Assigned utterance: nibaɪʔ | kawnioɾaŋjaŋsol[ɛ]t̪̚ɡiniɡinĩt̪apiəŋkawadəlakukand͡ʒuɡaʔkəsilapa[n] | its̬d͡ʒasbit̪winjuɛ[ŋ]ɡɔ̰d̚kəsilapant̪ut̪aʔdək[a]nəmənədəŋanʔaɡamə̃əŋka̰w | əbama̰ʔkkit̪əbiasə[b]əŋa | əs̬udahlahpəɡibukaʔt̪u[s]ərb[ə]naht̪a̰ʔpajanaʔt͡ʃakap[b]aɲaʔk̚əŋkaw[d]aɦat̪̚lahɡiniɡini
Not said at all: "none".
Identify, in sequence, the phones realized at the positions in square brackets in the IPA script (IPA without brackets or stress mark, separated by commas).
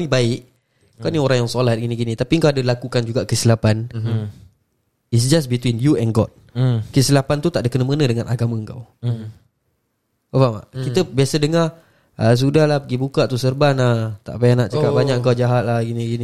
a, n, n, ə, d, s, a, b, d͡ʒ